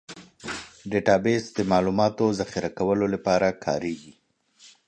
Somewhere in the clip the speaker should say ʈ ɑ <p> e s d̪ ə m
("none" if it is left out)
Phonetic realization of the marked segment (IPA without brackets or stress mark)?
b